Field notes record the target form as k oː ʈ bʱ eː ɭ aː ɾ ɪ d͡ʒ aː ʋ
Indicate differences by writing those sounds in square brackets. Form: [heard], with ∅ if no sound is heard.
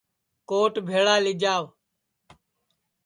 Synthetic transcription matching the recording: k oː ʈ bʱ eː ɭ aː [l] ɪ d͡ʒ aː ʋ